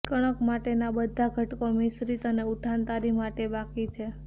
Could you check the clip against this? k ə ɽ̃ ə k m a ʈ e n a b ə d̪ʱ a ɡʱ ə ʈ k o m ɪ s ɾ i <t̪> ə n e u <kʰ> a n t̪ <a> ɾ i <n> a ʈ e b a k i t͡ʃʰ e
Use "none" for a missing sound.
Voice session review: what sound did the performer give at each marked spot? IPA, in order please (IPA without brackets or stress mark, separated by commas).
t̪, ʈʰ, a, m